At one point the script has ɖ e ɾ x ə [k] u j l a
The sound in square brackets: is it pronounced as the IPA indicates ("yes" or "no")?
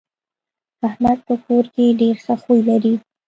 no